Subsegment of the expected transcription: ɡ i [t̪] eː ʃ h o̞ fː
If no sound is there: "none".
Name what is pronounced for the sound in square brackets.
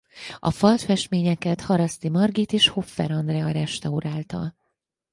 t̪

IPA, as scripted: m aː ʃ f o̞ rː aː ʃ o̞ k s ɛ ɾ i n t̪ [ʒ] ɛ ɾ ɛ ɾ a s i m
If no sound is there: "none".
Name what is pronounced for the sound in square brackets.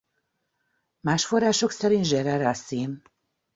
ʒ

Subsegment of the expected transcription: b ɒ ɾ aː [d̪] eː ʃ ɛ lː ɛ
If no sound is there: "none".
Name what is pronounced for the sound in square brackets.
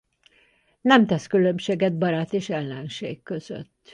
t̪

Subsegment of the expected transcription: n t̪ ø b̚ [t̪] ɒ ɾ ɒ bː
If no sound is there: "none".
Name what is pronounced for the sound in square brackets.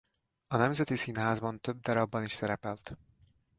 d̪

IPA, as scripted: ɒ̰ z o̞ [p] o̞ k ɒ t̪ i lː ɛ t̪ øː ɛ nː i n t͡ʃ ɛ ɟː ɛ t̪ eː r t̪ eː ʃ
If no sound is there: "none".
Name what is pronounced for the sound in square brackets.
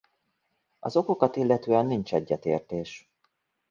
k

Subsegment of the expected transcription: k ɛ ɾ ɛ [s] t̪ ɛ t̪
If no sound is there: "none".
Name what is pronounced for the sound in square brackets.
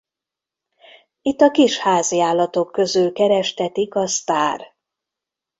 ʃ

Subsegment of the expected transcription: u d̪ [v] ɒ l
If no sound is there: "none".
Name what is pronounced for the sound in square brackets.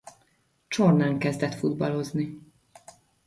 b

